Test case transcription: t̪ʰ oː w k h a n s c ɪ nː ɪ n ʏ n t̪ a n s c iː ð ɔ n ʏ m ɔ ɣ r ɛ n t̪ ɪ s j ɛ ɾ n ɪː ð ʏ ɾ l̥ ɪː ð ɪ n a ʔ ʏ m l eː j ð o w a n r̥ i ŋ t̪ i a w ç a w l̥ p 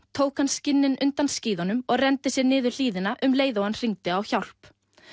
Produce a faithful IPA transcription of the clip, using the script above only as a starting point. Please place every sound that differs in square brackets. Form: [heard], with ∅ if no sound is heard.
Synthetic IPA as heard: t̪ʰ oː w k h a n s c ɪ nː ɪ n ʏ n t̪ a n s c iː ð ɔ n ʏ m ɔ ɣ r ɛ n t̪ ɪ s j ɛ ɾ n ɪː ð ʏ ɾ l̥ [iː] ð ɪ n a ʔ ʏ m l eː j ð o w a n r̥ i ŋ t̪ [ɪ] a w ç a w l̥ p